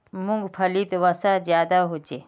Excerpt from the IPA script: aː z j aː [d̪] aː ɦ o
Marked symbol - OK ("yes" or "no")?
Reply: yes